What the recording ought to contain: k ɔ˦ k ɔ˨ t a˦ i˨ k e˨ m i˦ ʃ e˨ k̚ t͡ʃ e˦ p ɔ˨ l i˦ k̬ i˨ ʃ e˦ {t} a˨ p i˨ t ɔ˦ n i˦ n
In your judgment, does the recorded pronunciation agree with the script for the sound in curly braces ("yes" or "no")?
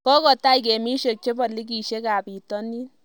no